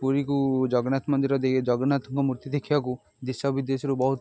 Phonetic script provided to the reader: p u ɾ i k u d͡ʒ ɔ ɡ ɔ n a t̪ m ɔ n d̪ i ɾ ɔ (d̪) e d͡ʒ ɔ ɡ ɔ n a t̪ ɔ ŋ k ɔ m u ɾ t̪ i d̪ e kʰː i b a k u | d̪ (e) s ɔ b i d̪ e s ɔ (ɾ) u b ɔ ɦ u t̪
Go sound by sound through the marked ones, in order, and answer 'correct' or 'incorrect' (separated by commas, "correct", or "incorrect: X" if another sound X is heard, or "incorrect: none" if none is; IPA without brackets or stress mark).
correct, incorrect: i, correct